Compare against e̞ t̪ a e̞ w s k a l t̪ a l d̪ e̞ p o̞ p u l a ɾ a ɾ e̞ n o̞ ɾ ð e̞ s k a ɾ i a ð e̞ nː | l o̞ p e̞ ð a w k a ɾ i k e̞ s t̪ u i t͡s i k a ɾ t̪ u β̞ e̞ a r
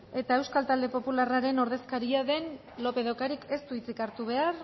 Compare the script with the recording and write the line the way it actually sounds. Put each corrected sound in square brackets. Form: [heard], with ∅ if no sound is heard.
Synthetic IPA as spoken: e̞ t̪ a e̞ w s k a l t̪ a l d̪ e̞ p o̞ p u l a [r] a ɾ e̞ n o̞ ɾ ð e̞ s k a ɾ i a ð e̞ [n] | l o̞ p e̞ ð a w k a ɾ i k e̞ s t̪ u i t͡s i k a ɾ t̪ u β̞ e̞ a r